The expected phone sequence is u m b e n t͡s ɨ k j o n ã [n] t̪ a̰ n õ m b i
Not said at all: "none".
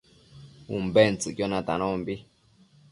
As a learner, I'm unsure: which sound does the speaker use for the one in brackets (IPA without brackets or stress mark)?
none